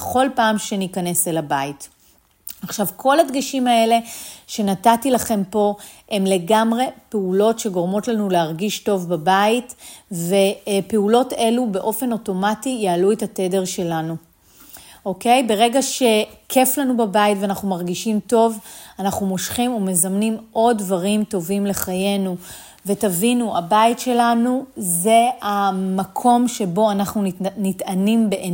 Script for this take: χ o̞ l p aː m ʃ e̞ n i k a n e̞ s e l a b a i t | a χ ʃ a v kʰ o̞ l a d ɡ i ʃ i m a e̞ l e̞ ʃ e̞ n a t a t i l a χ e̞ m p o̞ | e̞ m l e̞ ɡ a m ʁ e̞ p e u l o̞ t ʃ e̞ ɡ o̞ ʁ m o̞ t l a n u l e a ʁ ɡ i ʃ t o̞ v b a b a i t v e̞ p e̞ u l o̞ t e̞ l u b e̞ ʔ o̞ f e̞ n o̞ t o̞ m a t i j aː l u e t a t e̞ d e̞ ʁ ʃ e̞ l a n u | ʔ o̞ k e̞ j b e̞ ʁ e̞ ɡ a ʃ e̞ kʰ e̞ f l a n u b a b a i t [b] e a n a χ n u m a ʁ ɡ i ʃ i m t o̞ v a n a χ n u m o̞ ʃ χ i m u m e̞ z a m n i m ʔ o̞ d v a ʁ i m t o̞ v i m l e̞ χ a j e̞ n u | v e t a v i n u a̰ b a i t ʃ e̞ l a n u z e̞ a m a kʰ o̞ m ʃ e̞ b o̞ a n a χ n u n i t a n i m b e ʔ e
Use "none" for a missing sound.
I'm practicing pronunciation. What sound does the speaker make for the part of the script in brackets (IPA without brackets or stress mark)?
v